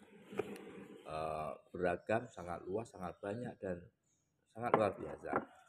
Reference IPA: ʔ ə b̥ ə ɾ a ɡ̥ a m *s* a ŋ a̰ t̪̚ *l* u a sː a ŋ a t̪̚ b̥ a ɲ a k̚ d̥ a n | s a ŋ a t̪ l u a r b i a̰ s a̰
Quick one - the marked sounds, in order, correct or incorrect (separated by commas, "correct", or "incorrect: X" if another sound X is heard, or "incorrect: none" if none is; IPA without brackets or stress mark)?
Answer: correct, correct